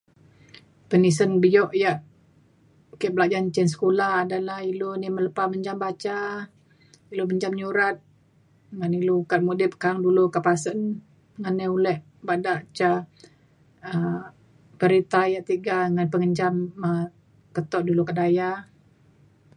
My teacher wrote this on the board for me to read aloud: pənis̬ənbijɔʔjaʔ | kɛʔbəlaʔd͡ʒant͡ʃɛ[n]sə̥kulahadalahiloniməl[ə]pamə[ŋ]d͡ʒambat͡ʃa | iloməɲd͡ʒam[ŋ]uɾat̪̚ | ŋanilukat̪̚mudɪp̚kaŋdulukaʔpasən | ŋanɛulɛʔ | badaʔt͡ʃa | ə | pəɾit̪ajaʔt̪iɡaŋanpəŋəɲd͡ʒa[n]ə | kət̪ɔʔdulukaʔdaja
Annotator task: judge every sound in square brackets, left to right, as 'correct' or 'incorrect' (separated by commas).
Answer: correct, correct, incorrect, incorrect, incorrect